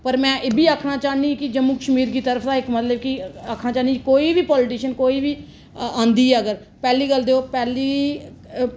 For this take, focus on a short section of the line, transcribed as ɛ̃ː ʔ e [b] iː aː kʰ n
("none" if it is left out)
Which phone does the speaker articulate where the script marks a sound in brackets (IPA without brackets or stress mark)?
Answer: b